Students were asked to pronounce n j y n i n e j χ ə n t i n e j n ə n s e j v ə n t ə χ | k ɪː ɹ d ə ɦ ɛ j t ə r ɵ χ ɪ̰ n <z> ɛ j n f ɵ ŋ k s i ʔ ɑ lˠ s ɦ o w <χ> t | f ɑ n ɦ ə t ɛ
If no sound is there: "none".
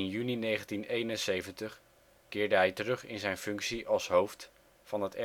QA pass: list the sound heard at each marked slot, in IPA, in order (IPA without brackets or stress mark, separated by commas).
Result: z, f